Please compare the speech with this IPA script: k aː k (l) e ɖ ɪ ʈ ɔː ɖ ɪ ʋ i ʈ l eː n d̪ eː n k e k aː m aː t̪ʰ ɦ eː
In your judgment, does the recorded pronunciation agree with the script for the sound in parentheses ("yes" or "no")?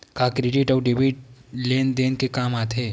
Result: no